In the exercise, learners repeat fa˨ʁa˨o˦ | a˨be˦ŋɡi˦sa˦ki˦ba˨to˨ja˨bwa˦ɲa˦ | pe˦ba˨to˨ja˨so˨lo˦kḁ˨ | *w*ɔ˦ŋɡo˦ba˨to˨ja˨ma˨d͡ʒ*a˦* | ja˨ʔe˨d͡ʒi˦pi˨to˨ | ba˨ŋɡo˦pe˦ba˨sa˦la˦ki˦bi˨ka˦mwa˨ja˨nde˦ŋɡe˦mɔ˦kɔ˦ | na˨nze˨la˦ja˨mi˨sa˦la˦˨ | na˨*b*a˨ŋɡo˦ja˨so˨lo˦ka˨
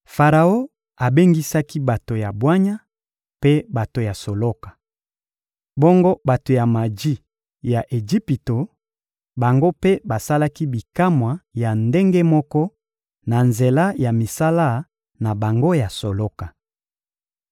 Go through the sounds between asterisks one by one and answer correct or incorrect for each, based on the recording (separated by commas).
incorrect, incorrect, correct